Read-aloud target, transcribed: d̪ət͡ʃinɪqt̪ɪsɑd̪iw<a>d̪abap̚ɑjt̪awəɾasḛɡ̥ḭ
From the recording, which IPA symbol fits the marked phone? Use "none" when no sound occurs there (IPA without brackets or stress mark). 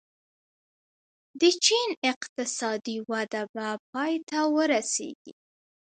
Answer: a